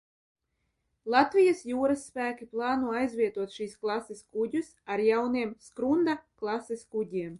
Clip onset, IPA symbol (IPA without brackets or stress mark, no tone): lˠ